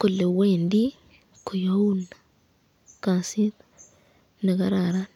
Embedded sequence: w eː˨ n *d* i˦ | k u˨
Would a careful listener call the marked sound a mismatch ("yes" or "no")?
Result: no